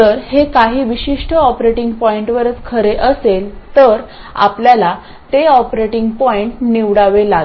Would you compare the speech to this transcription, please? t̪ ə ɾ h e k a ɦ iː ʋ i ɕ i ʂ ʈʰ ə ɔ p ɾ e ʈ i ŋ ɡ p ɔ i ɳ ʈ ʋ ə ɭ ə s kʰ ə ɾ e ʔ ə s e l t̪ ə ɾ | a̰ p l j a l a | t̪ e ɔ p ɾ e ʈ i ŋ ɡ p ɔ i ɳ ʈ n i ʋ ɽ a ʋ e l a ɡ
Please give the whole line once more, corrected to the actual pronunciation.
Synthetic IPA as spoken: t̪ ə ɾ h e k a ɦ iː ʋ i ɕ i ʂ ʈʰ ə ɔ p ɾ e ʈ i ŋ ɡ p ɔ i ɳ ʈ ʋ ə ɾ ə t͡s kʰ ə ɾ e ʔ ə s e l t̪ ə ɾ | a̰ p l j a l a | t̪ e ɔ p ɾ e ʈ i ŋ ɡ p ɔ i ɳ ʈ n i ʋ ɽ a ʋ e l a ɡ